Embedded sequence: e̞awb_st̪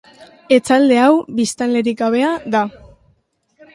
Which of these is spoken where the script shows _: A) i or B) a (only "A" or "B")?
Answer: A